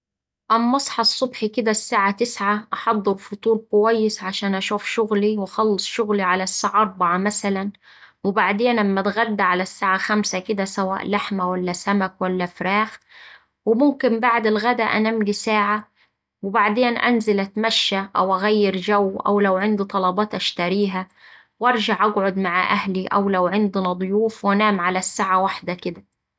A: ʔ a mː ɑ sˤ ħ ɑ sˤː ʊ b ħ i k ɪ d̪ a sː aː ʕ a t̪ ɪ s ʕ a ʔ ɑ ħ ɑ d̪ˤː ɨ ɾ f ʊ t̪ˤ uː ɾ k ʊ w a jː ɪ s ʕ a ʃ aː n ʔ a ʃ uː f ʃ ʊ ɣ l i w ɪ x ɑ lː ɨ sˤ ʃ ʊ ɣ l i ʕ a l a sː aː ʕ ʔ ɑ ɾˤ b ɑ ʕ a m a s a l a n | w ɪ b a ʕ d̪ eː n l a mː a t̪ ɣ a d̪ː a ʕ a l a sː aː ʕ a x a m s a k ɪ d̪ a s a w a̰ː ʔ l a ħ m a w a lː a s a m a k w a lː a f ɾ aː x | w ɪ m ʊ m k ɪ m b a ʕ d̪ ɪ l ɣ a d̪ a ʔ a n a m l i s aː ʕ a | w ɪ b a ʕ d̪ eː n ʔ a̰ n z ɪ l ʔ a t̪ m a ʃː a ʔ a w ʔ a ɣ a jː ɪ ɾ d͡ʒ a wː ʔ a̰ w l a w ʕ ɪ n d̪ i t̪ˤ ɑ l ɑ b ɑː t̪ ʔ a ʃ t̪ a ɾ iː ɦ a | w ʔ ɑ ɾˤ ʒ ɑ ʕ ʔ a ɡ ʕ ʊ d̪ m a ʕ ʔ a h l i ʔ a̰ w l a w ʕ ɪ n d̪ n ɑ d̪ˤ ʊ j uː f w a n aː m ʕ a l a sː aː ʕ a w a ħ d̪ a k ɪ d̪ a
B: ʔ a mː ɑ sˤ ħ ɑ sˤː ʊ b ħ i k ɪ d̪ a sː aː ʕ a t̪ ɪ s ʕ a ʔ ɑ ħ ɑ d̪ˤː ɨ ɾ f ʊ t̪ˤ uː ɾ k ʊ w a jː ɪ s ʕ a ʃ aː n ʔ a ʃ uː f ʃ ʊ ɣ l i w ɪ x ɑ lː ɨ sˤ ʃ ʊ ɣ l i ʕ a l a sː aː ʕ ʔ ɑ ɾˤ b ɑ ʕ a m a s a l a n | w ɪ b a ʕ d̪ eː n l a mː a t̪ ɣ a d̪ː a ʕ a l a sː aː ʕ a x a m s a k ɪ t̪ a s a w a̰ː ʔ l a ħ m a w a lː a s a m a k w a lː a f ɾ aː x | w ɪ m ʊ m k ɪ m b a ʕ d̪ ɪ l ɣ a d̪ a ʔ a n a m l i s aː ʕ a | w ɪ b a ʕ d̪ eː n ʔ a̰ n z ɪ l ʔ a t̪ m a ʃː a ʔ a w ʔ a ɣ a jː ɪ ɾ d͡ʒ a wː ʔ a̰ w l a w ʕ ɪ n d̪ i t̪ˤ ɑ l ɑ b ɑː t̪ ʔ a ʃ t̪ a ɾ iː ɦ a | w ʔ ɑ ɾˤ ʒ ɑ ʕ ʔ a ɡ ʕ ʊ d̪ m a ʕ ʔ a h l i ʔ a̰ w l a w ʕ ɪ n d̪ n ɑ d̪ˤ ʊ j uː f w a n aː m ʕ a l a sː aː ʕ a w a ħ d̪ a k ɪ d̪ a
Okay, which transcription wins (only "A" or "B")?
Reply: A